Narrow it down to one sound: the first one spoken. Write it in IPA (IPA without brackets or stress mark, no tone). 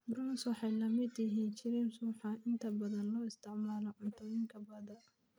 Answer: b